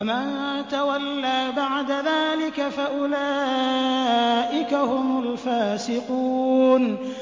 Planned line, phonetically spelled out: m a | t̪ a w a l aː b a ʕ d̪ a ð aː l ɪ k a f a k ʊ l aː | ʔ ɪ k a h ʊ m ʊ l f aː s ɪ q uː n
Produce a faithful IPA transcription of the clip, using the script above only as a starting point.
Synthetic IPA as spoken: m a | t̪ a w a lː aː b a ʕ d̪ a ð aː l ɪ k a f a ʔ ʊ l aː | ʔ ɪ k a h ʊ m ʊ l f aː s ɪ q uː n